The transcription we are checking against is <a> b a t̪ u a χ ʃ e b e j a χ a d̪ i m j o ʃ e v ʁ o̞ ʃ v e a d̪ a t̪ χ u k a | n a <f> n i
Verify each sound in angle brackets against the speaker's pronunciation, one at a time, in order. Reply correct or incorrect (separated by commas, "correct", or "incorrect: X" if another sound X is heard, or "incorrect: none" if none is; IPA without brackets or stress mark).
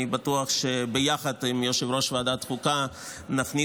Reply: incorrect: i, correct